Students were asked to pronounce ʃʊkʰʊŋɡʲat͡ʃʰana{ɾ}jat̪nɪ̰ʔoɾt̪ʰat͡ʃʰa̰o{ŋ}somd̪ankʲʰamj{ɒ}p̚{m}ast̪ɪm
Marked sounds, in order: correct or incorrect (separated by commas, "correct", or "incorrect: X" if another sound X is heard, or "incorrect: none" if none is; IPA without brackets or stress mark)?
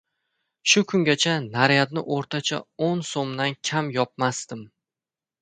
correct, incorrect: n, correct, correct